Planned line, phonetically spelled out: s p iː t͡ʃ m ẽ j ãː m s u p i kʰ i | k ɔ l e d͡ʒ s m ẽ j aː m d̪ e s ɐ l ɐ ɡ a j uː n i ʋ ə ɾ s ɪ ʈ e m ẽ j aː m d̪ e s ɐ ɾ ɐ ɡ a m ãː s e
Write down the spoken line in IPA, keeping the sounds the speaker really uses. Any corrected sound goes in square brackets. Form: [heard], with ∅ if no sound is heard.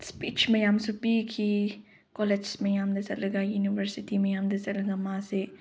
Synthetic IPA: s p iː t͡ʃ m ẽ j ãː m s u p i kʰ i | k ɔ l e d͡ʒ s m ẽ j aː m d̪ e s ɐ l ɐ ɡ a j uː n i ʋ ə ɾ s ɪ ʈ [i] m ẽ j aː m d̪ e s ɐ [l] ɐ ɡ a m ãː s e